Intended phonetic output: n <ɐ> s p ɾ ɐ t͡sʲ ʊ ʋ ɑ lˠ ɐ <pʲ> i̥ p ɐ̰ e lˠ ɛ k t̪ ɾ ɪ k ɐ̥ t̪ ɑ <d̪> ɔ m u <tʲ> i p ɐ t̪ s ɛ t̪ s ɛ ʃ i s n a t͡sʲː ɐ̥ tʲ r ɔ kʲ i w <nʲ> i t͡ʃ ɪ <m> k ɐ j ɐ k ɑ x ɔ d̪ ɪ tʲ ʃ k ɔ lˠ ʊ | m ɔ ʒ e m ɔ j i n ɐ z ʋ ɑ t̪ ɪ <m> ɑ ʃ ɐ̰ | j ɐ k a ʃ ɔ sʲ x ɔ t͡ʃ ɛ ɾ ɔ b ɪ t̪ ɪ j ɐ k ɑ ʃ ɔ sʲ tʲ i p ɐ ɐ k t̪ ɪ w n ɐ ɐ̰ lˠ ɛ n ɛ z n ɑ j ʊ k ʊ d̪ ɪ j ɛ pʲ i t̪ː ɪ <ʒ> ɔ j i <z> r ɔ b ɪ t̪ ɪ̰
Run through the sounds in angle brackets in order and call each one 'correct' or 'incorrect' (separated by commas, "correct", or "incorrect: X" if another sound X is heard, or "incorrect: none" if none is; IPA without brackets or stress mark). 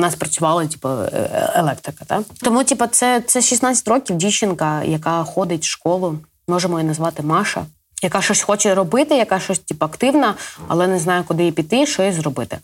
incorrect: ɑ, incorrect: tʲ, incorrect: t̪, correct, incorrect: dʲ, incorrect: n, correct, incorrect: ʃ, correct